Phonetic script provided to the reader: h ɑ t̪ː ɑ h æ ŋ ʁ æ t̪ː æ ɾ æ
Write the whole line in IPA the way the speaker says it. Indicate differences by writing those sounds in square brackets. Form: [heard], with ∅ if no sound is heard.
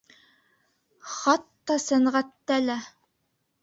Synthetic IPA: [χ] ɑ t̪ː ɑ [s] æ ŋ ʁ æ t̪ː æ [l] æ